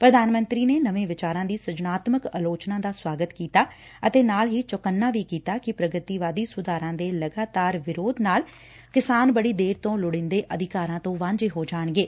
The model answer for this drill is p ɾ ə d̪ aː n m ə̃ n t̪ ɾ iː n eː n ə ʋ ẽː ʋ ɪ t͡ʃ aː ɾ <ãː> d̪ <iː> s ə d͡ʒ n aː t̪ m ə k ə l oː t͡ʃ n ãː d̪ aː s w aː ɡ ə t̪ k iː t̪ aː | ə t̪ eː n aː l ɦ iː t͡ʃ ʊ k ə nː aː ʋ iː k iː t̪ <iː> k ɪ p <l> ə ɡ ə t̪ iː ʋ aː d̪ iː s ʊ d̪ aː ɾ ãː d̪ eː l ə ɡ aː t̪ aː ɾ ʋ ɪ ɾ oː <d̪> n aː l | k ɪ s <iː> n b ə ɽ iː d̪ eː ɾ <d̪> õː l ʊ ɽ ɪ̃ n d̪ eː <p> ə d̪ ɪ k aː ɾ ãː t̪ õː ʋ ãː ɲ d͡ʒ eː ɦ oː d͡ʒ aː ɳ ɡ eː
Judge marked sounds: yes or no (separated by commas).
yes, yes, no, no, yes, no, no, no